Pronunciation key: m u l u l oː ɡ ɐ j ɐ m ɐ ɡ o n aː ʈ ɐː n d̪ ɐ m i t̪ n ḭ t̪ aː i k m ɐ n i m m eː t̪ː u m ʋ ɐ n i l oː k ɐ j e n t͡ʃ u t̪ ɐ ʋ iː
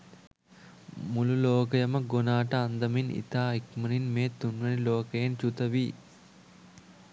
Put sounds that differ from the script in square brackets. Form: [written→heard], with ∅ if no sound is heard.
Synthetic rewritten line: m u l u l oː [ɡ→k] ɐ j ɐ m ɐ ɡ o n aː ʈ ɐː n d̪ ɐ m i [t̪→∅] n ḭ t̪ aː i k m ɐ n i [m→n] m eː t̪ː u [m→n] ʋ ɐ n i l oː k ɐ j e n t͡ʃ u t̪ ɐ ʋ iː

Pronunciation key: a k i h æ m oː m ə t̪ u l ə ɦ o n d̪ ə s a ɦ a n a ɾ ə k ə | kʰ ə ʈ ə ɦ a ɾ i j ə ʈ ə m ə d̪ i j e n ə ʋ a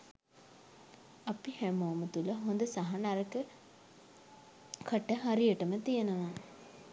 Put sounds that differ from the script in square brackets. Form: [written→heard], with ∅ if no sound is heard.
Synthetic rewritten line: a [k→p] i h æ m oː m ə t̪ u l ə ɦ o n d̪ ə s a ɦ a n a ɾ ə k ə | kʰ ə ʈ ə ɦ a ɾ i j ə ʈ ə m ə [d̪→t̪] i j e n ə ʋ a

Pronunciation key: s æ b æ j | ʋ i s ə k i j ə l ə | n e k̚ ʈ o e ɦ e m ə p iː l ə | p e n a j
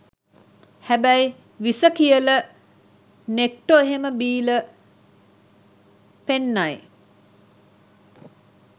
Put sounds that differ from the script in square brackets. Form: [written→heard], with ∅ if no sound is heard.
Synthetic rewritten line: [s→h] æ b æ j | ʋ i s ə k i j ə l ə | n e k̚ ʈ o e ɦ e m ə [p→b] iː l ə | p e [n→nː] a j

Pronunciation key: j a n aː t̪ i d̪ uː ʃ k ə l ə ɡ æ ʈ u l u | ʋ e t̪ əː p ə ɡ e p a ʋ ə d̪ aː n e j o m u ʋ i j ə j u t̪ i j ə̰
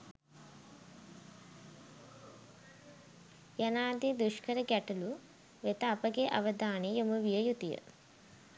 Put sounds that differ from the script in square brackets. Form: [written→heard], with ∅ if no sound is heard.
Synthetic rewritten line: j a n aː [t̪→d̪] i d̪ [uː→u] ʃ k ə [l→ɾ] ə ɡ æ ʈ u l u | ʋ e t̪ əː p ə ɡ e [p→ʔ] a ʋ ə d̪ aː n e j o m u ʋ i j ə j u t̪ i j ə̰

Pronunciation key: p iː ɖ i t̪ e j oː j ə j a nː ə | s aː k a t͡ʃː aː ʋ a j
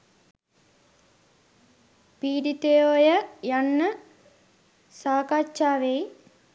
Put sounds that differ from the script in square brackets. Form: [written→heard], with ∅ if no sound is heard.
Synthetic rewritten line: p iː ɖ i t̪ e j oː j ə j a nː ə | s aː k a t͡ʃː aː ʋ [a→e] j

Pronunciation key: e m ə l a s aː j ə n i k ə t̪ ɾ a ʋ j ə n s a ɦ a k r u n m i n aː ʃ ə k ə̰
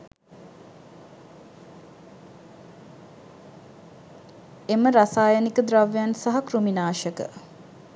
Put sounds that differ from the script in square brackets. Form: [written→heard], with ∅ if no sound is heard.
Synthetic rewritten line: e m ə [l→ɾ] a s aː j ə n i k ə [t̪→d̪] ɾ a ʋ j [ə→a] n s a ɦ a k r u [n→∅] m i n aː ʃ ə k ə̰

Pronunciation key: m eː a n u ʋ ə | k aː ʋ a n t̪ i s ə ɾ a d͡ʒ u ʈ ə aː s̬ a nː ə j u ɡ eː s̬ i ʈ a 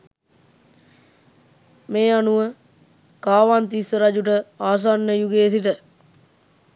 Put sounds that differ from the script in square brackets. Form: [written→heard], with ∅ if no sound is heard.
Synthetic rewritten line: m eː a n u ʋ ə | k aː ʋ a n t̪ i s ə ɾ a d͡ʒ u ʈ ə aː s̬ a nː ə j u ɡ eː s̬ i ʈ [a→ə]

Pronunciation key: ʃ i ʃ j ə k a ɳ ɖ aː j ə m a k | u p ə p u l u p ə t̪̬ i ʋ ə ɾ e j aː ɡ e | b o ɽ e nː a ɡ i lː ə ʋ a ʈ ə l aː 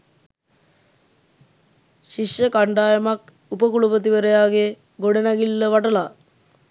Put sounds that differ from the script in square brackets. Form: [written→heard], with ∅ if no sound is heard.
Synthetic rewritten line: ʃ i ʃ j ə k a ɳ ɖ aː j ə m a k | u p ə [p→k] u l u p ə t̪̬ i ʋ ə ɾ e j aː ɡ e | [b→ɡ] o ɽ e [nː→n] a ɡ i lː ə ʋ a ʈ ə l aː

